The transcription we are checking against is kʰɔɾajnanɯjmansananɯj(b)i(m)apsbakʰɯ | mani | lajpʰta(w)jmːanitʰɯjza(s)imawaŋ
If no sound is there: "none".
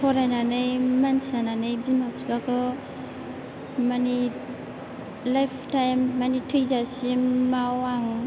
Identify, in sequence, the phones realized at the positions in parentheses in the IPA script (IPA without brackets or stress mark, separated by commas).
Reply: b, m, none, s